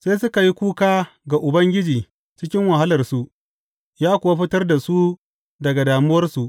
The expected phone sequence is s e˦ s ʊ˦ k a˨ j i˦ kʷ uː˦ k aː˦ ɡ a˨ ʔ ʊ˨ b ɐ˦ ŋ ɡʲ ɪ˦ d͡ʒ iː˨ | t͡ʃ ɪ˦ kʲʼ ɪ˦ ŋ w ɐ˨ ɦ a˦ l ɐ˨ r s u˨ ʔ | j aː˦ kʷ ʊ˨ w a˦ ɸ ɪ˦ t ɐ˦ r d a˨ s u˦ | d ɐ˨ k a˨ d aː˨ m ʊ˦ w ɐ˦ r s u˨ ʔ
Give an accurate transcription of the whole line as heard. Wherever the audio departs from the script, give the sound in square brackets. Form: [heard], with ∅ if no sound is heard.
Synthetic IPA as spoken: s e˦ s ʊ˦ k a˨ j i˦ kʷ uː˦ k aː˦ ɡ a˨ ʔ ʊ˨ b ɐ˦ ŋ ɡʲ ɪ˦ d͡ʒ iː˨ | t͡ʃ ɪ˦ [kʲ] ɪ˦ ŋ w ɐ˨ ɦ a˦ l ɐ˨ r s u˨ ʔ | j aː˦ kʷ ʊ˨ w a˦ ɸ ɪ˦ t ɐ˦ r d a˨ s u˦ | d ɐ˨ [ɡ] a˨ d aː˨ m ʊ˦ w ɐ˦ r s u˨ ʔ